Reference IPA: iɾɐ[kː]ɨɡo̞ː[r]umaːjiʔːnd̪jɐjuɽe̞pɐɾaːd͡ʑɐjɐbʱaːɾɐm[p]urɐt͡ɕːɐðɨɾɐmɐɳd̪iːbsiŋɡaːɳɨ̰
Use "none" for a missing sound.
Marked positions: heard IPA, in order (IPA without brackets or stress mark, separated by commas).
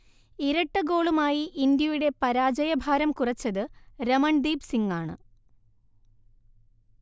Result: ʈː, ɭ, k